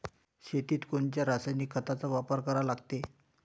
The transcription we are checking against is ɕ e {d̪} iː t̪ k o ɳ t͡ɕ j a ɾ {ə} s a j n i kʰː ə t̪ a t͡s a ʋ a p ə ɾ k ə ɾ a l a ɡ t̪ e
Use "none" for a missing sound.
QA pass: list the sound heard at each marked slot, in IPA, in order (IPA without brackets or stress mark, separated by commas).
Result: t̪, a